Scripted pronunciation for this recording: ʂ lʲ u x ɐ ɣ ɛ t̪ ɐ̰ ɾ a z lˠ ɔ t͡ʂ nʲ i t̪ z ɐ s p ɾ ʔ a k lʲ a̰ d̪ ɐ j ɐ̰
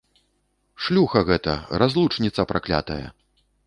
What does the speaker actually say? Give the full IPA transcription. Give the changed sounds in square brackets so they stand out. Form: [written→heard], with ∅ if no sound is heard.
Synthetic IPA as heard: ʂ lʲ u x ɐ ɣ ɛ t̪ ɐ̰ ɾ a z lˠ [ɔ→u] t͡ʂ nʲ i t̪ [z→s] ɐ [s→∅] p ɾ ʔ a k lʲ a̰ [d̪→t̪] ɐ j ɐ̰